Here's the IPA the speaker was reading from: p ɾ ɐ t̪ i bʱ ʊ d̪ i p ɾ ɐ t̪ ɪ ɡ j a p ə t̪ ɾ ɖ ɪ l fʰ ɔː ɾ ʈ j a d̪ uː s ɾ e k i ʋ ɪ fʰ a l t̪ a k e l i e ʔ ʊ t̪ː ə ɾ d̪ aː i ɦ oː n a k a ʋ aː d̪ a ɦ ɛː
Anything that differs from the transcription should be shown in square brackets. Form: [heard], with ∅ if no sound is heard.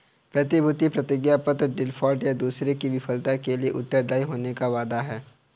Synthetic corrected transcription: p ɾ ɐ t̪ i bʱ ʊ [t̪] i p ɾ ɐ t̪ ɪ ɡ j a p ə t̪ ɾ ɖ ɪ l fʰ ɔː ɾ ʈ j a d̪ uː s ɾ e k i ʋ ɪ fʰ [ə] l t̪ a k e l i e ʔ ʊ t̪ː ə ɾ d̪ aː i ɦ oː n [e] k a ʋ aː d̪ a ɦ ɛː